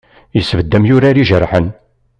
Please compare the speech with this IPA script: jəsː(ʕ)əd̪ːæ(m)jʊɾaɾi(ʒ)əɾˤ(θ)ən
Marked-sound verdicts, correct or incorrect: incorrect, correct, correct, incorrect

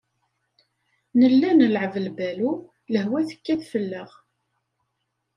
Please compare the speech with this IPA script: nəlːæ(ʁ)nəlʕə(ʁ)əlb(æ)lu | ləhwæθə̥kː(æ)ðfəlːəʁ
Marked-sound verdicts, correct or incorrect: incorrect, incorrect, correct, correct

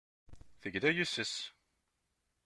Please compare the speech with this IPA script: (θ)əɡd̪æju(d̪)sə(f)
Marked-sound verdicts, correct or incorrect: correct, incorrect, incorrect

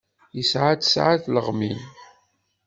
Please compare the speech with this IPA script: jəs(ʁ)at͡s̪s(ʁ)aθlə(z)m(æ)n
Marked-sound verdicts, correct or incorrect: incorrect, incorrect, incorrect, incorrect

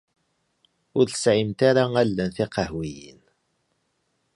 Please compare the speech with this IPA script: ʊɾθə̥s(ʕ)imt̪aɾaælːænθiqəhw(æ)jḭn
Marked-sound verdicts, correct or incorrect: correct, incorrect

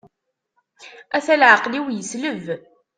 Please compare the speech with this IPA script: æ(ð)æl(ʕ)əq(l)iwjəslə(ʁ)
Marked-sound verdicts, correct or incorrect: incorrect, correct, correct, incorrect

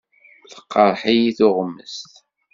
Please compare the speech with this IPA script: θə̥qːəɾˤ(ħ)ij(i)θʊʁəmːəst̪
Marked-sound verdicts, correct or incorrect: correct, correct

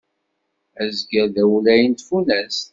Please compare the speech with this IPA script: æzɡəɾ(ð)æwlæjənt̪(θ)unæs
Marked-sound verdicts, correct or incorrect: correct, incorrect

